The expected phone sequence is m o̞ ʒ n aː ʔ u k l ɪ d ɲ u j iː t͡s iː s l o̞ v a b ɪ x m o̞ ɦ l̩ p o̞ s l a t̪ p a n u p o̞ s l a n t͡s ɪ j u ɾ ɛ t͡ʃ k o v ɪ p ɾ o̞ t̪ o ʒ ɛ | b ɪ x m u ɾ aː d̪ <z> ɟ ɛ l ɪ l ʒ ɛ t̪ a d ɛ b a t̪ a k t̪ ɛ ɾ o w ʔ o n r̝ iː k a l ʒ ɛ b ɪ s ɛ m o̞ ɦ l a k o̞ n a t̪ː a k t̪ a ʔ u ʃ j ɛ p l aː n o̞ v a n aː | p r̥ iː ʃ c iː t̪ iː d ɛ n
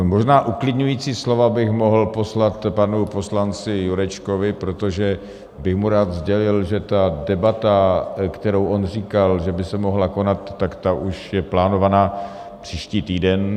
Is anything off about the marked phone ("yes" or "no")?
no